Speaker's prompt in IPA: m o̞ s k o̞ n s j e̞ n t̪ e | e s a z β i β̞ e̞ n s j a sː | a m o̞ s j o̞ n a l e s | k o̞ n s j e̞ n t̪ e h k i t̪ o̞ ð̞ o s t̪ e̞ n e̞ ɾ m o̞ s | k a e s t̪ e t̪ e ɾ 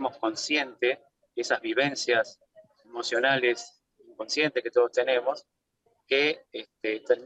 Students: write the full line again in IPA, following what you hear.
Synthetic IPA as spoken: m o̞ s k o̞ n s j e̞ n t̪ e | e s a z β i β̞ e̞ n s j a s | e m o̞ s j o̞ n a l e s | k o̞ n s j e̞ n t̪ e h k e t̪ o̞ ð̞ o s t̪ e̞ n e̞ m o̞ s | k e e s t̪ e t̪ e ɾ